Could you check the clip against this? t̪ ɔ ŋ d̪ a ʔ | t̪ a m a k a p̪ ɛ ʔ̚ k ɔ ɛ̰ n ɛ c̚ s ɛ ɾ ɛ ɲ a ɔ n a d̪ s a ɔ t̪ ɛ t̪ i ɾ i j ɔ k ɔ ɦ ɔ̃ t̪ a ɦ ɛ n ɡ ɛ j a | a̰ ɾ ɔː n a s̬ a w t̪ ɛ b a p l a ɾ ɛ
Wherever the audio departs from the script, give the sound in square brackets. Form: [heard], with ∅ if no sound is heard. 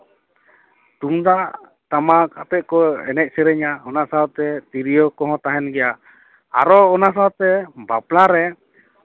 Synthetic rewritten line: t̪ [u] ŋ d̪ a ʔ | t̪ a m a k a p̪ ɛ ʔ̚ k ɔ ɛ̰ n ɛ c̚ s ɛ ɾ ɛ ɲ a ɔ n a [∅] s a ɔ t̪ ɛ t̪ i ɾ i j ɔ k ɔ ɦ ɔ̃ t̪ a ɦ ɛ n ɡ ɛ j a | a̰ ɾ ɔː n a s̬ a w t̪ ɛ b a p l a ɾ ɛ